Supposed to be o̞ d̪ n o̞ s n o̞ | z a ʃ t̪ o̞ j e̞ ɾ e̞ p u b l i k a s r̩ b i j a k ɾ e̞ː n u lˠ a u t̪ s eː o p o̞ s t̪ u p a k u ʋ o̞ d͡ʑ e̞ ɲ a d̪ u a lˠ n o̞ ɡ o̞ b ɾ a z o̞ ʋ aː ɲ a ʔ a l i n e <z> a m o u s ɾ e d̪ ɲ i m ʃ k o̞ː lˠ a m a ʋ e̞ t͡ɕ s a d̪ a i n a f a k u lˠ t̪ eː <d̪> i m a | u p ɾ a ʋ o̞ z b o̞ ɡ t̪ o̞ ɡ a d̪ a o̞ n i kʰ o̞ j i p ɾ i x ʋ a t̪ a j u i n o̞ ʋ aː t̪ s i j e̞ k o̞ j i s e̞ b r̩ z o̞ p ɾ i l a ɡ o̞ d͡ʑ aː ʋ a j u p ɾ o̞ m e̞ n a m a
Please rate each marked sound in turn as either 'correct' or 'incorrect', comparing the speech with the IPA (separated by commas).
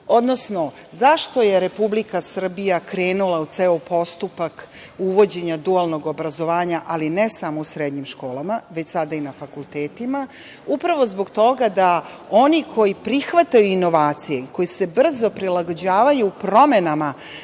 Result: incorrect, incorrect